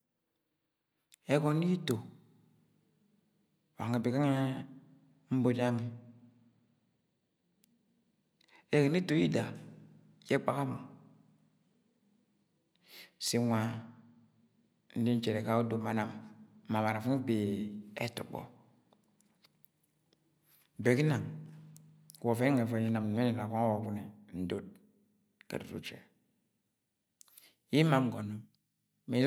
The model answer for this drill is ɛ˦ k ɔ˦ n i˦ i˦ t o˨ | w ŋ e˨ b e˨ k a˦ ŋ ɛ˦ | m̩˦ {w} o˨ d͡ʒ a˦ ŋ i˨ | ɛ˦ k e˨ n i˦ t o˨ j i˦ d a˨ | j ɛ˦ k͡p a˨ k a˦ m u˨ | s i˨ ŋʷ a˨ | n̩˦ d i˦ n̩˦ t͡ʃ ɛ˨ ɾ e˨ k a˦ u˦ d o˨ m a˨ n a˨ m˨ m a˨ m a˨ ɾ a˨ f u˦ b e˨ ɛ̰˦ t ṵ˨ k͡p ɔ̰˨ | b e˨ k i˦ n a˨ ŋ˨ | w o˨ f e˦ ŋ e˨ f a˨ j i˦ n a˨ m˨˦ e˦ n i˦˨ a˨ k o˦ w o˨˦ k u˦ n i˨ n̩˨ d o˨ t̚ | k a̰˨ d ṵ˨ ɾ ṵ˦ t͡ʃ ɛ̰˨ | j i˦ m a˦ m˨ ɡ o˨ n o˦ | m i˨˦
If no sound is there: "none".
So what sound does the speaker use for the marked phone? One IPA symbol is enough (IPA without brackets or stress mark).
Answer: b